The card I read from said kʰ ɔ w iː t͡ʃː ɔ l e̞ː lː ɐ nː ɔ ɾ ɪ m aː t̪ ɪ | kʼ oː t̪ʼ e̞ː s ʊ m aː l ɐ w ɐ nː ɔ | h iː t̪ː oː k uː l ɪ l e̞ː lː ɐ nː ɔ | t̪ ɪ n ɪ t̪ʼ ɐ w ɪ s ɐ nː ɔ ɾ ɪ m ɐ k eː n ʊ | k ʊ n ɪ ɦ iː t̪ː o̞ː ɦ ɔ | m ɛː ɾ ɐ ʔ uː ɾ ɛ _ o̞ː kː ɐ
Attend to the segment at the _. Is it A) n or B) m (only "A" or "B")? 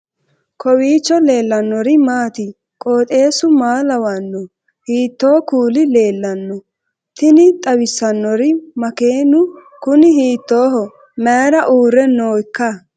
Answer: A